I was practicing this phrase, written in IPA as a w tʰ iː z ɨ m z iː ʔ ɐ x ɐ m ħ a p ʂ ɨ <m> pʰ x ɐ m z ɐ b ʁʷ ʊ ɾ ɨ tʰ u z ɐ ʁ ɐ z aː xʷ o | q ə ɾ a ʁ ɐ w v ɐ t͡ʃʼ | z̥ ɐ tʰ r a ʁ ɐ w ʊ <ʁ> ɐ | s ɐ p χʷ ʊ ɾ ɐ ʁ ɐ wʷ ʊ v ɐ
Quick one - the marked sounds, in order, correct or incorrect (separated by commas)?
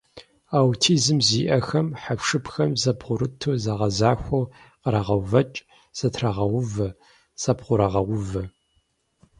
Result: incorrect, incorrect